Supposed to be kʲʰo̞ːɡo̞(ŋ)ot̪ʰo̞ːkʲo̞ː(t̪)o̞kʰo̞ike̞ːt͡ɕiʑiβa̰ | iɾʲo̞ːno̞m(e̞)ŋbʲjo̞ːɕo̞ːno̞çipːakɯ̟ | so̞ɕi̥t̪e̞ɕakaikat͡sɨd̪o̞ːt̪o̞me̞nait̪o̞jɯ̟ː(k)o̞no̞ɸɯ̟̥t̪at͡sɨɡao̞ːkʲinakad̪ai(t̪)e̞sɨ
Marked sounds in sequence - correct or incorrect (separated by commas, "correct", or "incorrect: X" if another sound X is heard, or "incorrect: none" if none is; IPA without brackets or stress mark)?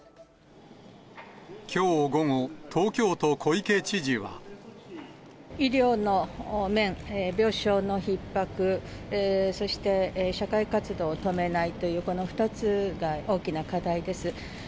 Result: correct, correct, incorrect: ẽ̞, correct, incorrect: d̪